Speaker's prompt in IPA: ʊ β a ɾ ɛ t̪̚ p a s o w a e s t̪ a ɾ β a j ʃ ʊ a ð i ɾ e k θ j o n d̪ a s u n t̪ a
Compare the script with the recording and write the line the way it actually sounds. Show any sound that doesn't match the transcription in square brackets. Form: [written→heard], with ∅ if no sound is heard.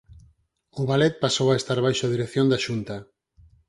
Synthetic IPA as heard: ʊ β a [ɾ→l] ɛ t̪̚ p a s o w a e s t̪ a ɾ β a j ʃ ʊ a ð i ɾ e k θ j o n d̪ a [s→ʃ] u n t̪ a